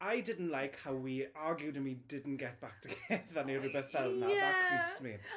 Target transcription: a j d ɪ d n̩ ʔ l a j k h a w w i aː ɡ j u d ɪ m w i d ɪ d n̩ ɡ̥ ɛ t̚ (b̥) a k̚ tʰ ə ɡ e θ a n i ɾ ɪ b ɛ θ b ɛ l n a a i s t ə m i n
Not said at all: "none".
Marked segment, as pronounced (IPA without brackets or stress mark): b̥